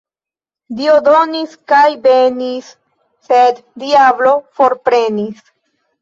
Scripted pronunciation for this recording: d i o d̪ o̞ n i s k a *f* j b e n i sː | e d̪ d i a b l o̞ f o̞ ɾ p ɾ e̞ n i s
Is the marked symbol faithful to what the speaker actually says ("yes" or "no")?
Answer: no